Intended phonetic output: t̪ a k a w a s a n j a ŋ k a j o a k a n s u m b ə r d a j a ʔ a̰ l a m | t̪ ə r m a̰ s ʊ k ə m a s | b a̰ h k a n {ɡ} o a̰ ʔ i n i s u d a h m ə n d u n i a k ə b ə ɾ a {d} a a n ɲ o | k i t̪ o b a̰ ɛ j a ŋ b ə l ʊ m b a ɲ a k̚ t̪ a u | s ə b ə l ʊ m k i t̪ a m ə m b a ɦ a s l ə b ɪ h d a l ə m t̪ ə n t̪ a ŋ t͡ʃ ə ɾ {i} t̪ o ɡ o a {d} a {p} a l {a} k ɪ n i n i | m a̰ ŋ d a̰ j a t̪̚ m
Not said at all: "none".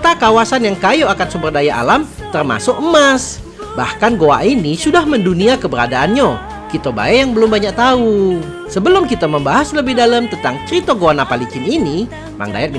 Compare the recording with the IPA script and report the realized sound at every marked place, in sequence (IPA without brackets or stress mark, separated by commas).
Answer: ɡ, d, i, n, p, i